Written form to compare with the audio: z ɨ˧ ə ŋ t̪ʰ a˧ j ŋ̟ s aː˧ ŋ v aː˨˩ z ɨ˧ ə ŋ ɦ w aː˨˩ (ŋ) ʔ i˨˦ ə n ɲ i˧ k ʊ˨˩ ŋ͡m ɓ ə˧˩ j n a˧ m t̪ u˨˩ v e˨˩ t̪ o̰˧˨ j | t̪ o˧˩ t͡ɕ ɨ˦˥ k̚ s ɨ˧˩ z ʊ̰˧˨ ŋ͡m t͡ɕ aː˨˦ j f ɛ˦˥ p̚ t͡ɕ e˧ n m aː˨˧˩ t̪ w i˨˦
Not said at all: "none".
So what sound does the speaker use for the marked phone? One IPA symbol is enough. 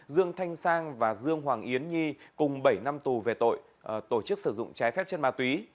ŋ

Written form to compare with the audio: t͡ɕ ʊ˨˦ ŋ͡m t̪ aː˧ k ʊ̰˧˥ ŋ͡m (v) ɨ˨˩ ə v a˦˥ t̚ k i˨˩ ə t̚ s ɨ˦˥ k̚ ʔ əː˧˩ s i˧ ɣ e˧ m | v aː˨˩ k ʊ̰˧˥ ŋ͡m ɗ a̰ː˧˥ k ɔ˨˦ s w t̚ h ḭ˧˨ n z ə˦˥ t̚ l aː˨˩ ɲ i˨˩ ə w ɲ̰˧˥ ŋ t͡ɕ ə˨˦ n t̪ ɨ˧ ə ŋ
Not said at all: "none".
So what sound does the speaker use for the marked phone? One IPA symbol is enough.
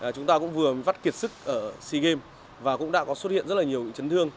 v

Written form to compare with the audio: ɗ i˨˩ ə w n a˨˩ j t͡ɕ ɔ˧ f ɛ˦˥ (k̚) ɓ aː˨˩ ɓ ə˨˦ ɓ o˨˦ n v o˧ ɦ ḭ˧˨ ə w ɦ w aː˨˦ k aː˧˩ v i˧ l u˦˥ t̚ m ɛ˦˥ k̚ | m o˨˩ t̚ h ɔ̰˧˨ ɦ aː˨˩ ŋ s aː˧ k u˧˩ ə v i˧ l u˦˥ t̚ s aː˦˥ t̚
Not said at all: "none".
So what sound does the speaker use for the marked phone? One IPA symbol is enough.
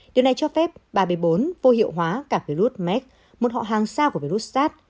p̚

